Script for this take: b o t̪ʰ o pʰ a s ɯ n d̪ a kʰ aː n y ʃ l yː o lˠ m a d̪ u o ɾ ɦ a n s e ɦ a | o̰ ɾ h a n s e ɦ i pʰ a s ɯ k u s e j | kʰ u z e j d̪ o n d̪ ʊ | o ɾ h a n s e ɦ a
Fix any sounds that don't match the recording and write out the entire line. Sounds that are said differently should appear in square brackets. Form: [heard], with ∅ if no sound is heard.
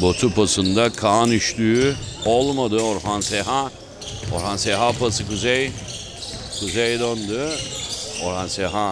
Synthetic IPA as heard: b o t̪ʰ [u] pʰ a s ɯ n d̪ a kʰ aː n y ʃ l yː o lˠ m a d̪ [ɯ] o ɾ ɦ a n s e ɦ a | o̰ ɾ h a n s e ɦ [a] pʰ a s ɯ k u [z] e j | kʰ u z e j d̪ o n d̪ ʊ | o ɾ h a n s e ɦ a